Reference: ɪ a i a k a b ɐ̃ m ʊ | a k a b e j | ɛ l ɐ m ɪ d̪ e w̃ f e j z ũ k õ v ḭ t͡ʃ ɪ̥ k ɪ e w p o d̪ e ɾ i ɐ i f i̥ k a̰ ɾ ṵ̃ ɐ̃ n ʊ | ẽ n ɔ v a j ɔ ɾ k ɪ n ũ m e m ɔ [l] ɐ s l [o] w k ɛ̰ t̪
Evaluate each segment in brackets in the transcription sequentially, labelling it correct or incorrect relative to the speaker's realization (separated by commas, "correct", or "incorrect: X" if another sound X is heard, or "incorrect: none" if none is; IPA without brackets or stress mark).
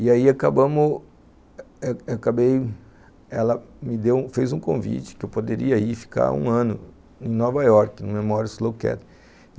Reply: incorrect: ɾ, correct